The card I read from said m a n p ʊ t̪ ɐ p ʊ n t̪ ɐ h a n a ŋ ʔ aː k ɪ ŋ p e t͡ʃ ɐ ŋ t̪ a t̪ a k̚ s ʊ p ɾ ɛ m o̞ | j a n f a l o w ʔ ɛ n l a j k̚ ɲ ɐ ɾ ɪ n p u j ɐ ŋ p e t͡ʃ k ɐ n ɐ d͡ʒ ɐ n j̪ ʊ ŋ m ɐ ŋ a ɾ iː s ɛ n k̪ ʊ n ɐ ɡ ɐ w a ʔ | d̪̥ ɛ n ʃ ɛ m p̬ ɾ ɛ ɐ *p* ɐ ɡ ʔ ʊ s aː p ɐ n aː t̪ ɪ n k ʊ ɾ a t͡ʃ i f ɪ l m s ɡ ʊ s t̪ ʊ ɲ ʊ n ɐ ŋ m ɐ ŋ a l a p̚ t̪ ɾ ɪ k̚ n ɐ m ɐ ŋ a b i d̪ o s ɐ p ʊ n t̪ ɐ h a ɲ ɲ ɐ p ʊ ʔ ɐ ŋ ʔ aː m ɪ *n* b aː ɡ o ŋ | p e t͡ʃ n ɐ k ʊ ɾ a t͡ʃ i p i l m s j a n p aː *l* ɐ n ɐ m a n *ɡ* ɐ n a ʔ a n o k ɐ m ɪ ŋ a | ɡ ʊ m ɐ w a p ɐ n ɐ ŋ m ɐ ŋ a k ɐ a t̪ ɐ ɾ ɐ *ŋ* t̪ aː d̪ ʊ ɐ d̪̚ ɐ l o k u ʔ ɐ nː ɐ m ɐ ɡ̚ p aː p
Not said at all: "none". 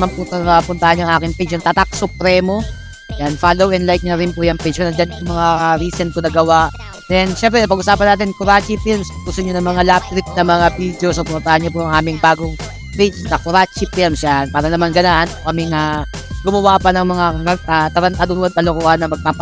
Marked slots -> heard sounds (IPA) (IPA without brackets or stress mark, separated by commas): p, ŋ, ɾ, ɡ, n